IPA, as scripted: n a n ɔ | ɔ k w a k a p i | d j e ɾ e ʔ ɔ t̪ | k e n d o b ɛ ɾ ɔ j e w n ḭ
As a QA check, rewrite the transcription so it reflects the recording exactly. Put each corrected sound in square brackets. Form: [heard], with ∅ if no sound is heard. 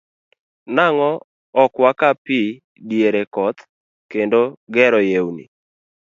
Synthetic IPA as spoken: n a [ŋ] ɔ | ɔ k w a k a p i | d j e ɾ e [k] ɔ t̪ | k e n d o [ɡ] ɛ ɾ ɔ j e w n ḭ

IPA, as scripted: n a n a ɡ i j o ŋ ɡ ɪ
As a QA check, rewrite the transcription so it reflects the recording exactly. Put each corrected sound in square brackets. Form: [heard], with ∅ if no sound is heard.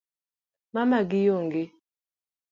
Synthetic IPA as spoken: [m] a [m] a ɡ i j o ŋ ɡ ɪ

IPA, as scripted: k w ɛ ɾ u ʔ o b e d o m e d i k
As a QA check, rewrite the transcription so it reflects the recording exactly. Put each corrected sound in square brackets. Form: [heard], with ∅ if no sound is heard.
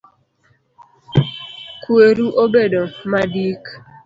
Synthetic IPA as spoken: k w [e] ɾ u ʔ o b e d o m [a] d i k

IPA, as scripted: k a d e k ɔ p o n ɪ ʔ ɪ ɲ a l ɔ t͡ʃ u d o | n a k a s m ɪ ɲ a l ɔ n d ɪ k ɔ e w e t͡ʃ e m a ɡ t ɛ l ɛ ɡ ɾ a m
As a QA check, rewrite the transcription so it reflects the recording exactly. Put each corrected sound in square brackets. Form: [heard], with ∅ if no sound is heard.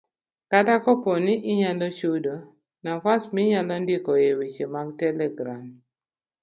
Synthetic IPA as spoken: k a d [a] k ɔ p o n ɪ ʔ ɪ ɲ a l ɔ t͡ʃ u d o | n a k a s m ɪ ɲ a l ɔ n d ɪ k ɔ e w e t͡ʃ e m a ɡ t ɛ l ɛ ɡ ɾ a m

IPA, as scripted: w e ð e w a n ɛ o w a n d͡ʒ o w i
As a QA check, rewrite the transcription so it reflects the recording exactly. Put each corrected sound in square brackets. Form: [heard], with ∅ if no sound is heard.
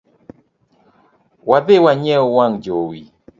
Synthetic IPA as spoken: w [a] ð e w a [ɲ] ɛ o w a [ŋ] d͡ʒ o w i

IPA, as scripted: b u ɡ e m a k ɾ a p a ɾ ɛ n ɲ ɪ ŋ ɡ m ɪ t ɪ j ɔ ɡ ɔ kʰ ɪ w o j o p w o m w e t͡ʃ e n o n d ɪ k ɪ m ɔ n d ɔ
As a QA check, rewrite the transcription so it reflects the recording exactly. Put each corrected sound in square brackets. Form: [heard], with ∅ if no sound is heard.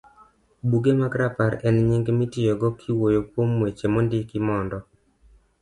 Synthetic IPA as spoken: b u ɡ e m a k ɾ a p a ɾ ɛ n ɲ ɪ ŋ ɡ m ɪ t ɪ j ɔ ɡ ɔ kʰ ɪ w o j o p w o m w e t͡ʃ e [m] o n d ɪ k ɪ m ɔ n d ɔ

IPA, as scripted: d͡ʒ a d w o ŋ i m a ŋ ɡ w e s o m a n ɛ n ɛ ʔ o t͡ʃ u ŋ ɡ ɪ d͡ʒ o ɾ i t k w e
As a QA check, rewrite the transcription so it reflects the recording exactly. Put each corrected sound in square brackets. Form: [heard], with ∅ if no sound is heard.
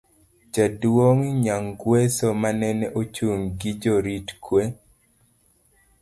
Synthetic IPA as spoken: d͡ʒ a d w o ŋ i [ɲ] a ŋ ɡ w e s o m a n ɛ n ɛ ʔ o t͡ʃ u ŋ ɡ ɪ d͡ʒ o ɾ i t k w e

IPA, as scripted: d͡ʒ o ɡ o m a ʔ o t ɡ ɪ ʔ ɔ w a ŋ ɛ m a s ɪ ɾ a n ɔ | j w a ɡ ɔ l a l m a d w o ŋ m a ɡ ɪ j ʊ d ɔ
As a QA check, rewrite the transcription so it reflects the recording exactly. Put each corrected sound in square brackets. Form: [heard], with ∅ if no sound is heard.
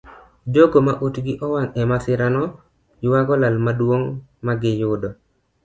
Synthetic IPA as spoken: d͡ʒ o ɡ o m a ʔ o t ɡ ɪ ʔ ɔ w a ŋ ɛ m a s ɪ ɾ a n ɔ | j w a ɡ ɔ l a l m a d w o ŋ m a ɡ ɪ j ʊ d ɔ

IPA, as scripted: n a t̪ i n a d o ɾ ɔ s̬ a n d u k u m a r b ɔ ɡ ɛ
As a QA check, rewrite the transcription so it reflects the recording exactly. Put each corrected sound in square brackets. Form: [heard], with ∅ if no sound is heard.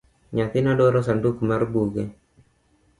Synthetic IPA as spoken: [ɲ] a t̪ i n a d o ɾ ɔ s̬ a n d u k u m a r b [u] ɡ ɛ

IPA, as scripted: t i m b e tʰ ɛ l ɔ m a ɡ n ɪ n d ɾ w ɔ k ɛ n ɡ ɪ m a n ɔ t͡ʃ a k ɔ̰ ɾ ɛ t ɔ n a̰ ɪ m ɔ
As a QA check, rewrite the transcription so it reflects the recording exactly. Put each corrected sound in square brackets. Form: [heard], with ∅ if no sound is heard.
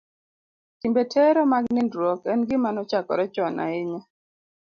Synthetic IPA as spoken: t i m b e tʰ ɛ [ɾ] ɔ m a ɡ n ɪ n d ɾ w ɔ k ɛ n ɡ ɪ m a n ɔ t͡ʃ a k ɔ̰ ɾ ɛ [t͡ʃ] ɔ n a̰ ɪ [ɲ] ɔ

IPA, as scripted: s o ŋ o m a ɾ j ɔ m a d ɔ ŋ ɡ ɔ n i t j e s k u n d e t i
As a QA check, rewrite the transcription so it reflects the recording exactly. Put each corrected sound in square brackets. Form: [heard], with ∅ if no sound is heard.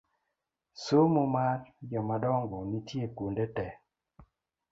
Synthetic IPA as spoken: s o [m] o m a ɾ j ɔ m a d ɔ ŋ ɡ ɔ n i t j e [∅] k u n d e t [ɛ]

